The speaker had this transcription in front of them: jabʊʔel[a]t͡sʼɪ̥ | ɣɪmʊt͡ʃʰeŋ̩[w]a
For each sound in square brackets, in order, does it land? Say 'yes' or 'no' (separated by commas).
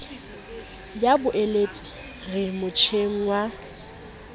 no, yes